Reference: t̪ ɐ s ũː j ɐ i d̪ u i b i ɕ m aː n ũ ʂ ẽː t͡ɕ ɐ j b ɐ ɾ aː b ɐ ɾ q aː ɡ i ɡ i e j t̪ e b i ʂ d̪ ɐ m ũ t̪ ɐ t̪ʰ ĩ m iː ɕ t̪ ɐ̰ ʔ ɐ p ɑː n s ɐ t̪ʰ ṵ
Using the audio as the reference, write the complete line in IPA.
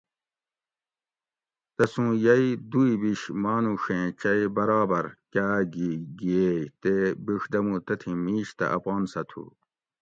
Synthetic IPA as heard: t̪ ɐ s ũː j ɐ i d̪ u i b i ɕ m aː n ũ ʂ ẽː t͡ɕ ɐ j b ɐ ɾ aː b ɐ ɾ k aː ɡ i ɡ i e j t̪ e b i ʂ d̪ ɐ m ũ t̪ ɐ t̪ʰ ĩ m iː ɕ t̪ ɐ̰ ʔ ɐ p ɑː n s ɐ t̪ʰ ṵ